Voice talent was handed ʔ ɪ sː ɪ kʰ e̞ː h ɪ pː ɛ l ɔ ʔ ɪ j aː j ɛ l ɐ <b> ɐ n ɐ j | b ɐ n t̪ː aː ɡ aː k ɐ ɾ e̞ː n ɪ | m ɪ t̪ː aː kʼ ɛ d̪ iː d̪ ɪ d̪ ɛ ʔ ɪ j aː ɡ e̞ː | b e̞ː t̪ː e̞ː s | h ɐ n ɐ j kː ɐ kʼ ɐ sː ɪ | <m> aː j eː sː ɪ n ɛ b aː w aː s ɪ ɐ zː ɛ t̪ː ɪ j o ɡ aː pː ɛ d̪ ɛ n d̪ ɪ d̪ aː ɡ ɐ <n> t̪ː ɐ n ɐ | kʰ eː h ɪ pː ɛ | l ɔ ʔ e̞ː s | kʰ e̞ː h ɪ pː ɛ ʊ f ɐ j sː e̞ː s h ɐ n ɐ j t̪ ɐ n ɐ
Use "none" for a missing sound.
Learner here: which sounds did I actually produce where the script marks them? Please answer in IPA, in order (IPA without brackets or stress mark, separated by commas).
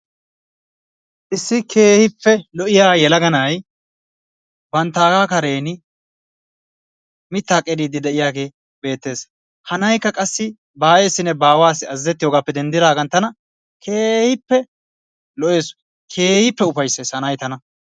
ɡ, b, n